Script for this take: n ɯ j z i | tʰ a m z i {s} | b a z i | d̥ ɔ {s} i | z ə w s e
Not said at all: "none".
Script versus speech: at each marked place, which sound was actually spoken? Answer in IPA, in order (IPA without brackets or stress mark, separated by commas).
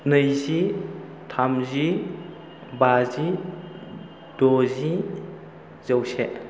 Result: none, z